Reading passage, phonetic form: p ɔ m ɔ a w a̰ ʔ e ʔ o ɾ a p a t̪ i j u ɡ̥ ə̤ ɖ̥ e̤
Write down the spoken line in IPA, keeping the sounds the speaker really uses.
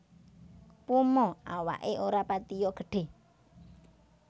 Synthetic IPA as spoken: p u m ɔ a w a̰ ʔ e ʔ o ɾ a p a t̪ i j ɔ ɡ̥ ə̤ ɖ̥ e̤